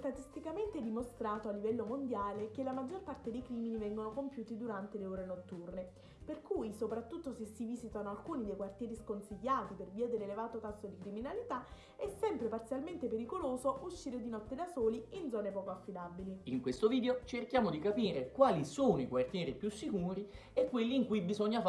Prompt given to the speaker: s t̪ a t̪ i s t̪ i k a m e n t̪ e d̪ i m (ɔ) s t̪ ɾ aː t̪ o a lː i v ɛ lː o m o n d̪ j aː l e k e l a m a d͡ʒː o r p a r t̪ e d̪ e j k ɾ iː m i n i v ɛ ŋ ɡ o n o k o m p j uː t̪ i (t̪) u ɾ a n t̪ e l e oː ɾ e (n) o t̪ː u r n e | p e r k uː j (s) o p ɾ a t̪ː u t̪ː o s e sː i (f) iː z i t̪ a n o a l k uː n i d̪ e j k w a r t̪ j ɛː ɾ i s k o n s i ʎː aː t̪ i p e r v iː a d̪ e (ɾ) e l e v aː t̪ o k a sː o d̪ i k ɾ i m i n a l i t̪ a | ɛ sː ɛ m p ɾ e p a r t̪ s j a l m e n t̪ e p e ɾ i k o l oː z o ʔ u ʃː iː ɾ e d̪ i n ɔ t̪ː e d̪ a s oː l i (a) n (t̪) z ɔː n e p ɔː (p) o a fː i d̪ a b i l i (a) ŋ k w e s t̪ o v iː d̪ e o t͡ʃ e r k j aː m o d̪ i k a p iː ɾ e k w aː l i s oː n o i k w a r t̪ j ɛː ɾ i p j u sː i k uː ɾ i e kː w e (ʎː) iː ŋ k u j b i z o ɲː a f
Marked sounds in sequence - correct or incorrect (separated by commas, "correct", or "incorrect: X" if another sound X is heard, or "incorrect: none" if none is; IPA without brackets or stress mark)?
incorrect: o, incorrect: d̪, correct, correct, incorrect: v, incorrect: l, incorrect: i, incorrect: d̪, incorrect: k, incorrect: i, incorrect: lː